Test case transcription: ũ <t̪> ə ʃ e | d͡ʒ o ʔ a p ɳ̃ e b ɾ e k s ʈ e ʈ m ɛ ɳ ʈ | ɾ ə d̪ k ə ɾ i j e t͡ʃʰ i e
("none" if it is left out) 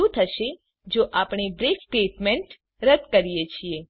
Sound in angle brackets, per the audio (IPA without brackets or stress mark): t̪ʰ